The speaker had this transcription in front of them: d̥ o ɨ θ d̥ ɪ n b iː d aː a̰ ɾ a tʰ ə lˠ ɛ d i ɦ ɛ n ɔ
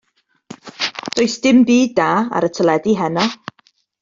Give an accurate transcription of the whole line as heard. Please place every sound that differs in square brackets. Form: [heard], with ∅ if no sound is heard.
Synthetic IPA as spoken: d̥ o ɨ [s] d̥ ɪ [m] b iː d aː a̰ ɾ [ə] tʰ ə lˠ ɛ d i ɦ ɛ n ɔ